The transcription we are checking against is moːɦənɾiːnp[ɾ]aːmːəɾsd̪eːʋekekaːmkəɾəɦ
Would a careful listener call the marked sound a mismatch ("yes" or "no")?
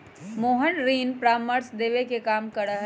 no